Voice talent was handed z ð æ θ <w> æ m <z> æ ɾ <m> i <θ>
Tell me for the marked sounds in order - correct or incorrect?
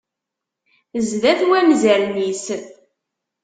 correct, correct, incorrect: n, incorrect: s

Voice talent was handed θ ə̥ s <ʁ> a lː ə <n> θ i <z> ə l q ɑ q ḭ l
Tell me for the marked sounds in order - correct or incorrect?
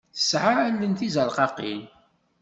incorrect: ʕ, correct, correct

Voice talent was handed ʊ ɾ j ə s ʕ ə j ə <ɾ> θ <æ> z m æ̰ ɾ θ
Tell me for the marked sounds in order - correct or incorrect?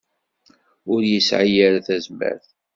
correct, correct

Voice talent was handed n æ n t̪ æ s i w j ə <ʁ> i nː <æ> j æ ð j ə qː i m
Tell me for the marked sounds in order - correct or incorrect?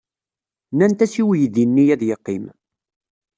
incorrect: ð, incorrect: i

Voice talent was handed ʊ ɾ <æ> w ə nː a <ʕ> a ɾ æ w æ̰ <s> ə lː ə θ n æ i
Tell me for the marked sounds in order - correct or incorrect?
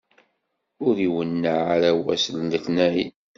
incorrect: i, correct, correct

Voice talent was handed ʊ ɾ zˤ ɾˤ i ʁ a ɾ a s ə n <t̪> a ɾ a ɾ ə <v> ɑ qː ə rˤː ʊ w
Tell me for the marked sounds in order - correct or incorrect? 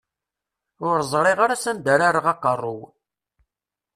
incorrect: d̪, incorrect: ʁ

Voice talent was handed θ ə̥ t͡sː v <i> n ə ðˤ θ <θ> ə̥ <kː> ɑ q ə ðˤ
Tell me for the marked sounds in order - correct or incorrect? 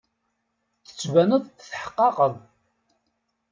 incorrect: æ, incorrect: ħ, incorrect: qː

